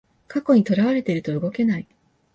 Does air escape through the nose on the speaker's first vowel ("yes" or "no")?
no